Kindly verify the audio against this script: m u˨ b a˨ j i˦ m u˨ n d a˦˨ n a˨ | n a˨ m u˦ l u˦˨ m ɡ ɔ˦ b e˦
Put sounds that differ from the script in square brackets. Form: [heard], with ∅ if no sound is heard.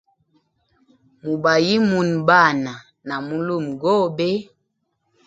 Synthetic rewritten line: m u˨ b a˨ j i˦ m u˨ n [b] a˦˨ n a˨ | n a˨ m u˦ l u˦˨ m ɡ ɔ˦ b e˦